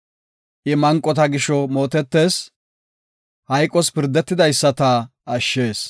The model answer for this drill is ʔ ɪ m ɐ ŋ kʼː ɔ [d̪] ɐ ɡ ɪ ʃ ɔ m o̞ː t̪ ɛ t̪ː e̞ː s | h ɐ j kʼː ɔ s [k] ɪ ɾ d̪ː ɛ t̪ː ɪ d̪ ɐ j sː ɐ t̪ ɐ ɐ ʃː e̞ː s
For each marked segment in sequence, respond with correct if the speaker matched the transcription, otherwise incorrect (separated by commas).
incorrect, incorrect